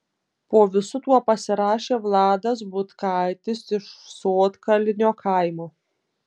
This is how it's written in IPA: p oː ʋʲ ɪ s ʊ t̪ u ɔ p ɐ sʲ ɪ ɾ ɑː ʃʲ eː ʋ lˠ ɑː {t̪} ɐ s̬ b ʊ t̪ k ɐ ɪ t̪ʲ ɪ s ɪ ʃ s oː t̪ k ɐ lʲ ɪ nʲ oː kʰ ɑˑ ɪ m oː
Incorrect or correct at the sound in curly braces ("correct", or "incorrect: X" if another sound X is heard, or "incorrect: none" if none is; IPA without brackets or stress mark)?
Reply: incorrect: d̪